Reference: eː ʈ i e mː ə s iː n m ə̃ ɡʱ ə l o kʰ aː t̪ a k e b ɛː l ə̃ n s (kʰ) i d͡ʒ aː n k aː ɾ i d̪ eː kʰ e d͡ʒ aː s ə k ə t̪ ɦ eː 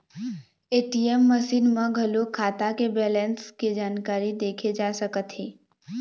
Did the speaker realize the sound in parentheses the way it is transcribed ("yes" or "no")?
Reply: no